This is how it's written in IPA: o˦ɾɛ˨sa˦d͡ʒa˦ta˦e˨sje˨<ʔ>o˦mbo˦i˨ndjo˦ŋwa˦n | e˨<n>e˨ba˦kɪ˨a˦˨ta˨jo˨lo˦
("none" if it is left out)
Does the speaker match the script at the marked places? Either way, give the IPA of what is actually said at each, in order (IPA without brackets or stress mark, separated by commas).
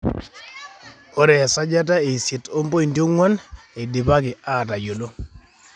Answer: t, d